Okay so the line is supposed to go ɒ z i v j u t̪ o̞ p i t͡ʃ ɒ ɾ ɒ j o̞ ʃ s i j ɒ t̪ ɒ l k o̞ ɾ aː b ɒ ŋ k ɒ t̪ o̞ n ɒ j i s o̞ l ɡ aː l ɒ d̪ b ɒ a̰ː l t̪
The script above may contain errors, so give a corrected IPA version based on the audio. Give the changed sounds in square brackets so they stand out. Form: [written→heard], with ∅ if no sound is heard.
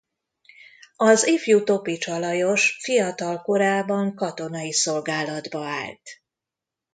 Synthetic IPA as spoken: ɒ z i [v→f] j u t̪ o̞ p i t͡ʃ ɒ [ɾ→l] ɒ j o̞ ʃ [s→f] i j ɒ t̪ ɒ l k o̞ ɾ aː b ɒ ŋ k ɒ t̪ o̞ n ɒ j i s o̞ l ɡ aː l ɒ d̪ b ɒ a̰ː l t̪